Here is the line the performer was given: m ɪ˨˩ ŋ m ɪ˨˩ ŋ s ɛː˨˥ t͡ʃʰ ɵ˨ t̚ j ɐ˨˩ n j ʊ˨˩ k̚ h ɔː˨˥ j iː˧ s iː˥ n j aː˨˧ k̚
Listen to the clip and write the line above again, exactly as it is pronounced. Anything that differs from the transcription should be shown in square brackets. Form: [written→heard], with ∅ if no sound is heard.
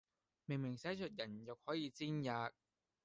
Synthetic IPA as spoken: m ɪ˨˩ ŋ m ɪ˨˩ ŋ s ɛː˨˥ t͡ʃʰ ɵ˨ t̚ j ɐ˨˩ n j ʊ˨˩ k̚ h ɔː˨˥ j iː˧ [s→t͡s] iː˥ n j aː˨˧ k̚